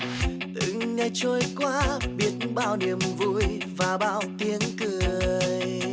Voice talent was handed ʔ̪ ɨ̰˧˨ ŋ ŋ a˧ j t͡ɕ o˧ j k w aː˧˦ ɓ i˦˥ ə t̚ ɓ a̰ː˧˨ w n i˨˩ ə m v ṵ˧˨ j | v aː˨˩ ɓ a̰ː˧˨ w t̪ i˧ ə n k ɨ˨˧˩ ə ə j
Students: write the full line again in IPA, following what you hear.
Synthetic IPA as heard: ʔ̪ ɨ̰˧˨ ŋ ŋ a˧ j t͡ɕ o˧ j k w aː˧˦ ɓ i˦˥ ə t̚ ɓ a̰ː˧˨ w n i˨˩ ə m v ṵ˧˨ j | v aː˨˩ ɓ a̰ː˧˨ w t̪ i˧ ə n k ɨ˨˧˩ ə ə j